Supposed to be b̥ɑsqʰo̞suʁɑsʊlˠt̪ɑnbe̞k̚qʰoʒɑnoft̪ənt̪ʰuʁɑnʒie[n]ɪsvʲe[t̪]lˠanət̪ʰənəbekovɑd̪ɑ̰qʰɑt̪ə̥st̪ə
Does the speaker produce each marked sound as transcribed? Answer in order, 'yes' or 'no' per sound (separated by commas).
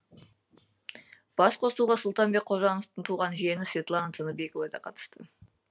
yes, yes